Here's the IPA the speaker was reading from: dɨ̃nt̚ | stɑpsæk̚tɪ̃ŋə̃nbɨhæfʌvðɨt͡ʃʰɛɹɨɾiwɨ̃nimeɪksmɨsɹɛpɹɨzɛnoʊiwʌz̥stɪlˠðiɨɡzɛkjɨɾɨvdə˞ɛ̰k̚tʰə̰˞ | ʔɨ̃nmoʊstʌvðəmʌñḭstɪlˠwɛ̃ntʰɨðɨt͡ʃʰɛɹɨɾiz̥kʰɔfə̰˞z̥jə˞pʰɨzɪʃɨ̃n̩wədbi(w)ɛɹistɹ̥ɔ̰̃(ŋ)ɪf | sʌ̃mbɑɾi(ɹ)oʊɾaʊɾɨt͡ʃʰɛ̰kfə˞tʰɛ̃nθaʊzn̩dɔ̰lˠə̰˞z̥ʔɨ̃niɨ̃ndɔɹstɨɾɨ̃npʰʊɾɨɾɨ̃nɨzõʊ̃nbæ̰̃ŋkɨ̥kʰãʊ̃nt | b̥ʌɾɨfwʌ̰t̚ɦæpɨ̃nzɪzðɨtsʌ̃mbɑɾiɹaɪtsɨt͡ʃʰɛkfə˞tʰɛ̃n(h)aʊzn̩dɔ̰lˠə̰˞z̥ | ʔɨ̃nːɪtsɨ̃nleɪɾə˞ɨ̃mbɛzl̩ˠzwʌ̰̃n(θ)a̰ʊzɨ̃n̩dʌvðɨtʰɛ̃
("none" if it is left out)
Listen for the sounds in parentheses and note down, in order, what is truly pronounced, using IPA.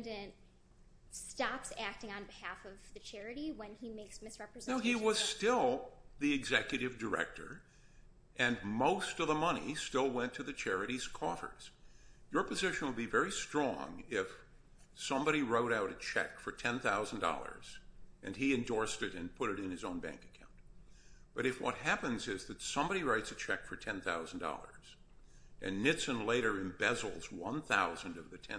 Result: v, ŋ, ɹ, θ, θ

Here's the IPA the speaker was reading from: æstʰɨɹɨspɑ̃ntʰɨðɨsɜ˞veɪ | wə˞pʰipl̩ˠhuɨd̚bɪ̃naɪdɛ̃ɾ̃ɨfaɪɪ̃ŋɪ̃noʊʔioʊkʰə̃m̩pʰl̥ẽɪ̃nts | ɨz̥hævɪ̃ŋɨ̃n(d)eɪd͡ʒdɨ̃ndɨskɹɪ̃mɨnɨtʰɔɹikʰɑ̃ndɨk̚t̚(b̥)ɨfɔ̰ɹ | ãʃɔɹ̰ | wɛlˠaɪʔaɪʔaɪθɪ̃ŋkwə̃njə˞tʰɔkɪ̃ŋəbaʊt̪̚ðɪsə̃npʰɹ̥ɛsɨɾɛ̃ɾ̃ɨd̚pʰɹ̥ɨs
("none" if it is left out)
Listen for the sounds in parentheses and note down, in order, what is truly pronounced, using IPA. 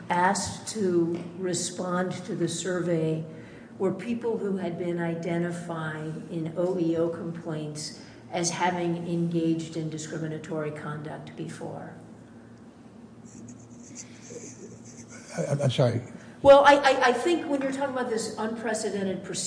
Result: ɡ, b̥

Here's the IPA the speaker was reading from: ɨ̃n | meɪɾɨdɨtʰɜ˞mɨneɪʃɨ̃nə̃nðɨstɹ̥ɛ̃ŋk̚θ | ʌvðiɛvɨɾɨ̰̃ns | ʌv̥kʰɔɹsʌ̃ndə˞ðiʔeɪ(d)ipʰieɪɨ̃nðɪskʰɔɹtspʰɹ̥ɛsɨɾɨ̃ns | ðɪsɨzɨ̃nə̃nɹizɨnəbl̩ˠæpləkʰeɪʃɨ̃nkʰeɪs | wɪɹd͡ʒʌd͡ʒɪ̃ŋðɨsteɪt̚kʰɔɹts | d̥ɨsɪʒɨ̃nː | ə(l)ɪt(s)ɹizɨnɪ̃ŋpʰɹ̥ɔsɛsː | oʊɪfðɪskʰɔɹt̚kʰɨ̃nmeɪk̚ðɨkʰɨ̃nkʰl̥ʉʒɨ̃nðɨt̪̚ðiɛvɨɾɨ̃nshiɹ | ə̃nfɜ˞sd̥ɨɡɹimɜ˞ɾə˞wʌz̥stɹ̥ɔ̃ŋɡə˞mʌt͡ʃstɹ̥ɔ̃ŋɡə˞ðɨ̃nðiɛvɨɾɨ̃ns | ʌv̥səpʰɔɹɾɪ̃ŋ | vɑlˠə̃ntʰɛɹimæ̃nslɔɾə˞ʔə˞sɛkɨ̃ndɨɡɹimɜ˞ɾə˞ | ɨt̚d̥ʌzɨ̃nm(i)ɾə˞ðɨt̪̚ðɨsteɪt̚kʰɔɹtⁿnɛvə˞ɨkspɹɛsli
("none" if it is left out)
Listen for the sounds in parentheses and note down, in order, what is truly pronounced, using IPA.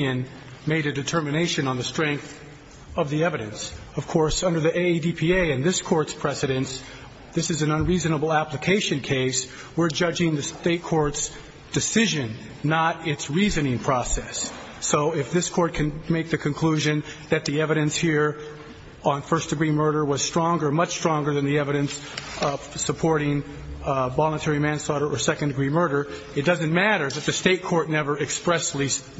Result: d, ɾ, s, æ

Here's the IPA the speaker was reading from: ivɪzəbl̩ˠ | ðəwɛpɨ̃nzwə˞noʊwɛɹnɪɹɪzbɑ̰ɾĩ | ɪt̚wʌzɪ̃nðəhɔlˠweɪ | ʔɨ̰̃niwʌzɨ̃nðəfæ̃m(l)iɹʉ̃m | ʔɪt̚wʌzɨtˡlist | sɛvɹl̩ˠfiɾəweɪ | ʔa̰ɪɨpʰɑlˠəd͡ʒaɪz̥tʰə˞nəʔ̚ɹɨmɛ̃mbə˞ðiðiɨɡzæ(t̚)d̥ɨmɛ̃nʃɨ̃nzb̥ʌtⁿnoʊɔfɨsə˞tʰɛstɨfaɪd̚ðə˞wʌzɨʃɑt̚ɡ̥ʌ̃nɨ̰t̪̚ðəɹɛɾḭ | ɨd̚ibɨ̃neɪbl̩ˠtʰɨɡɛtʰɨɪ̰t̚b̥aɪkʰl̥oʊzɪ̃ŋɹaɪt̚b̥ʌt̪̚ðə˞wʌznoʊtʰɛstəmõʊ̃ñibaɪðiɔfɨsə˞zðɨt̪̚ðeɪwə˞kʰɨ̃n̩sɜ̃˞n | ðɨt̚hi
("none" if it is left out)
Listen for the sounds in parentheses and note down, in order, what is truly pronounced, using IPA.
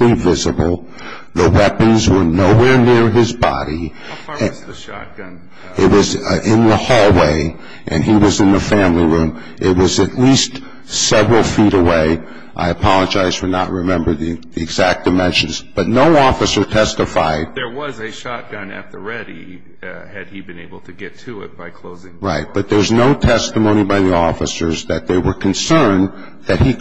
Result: l, k̚

